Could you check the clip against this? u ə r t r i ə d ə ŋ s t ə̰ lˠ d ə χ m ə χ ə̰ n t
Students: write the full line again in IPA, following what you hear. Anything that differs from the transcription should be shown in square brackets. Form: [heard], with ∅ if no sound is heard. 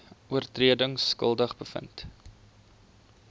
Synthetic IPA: u ə r t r i ə d ə ŋ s [k] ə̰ lˠ d ə χ [b] ə [f] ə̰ n t